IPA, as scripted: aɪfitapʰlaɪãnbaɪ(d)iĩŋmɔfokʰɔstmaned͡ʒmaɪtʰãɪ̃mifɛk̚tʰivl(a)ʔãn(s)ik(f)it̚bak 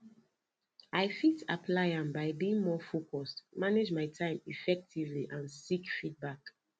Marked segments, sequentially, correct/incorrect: incorrect, incorrect, correct, correct

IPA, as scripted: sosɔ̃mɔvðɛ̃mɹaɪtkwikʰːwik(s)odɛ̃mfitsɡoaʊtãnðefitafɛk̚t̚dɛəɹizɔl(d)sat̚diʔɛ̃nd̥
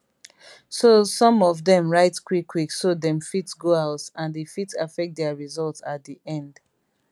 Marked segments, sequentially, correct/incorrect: correct, incorrect

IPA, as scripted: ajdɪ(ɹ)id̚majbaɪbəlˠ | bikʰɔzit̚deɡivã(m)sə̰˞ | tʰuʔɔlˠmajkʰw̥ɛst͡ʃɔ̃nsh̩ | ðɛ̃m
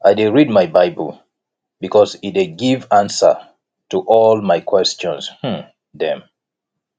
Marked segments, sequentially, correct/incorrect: correct, incorrect

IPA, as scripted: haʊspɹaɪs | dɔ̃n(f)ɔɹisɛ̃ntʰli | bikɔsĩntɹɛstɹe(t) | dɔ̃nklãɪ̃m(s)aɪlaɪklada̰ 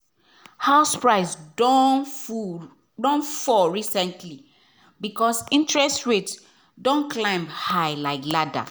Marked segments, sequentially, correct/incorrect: correct, correct, incorrect

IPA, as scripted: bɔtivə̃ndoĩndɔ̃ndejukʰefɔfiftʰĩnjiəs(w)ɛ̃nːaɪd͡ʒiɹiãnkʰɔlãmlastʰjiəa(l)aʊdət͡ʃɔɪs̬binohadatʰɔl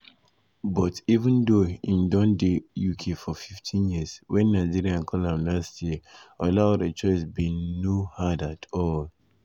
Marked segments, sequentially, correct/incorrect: correct, correct

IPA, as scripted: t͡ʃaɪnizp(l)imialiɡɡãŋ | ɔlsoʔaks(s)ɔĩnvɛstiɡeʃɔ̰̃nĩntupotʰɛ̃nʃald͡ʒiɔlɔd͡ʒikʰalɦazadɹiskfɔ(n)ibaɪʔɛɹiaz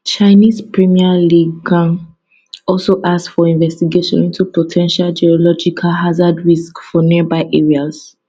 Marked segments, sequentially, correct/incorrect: incorrect, incorrect, correct

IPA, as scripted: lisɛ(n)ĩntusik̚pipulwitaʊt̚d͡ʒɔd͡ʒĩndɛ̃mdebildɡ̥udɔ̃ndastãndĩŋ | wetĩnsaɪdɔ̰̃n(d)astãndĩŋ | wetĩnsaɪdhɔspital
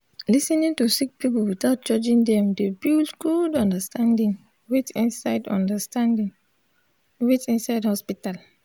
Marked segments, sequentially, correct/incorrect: correct, correct

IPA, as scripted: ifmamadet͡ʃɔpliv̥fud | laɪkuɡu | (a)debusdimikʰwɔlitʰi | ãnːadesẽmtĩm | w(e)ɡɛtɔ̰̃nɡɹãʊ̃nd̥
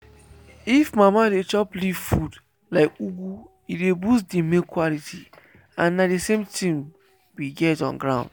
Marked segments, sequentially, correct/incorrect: incorrect, incorrect

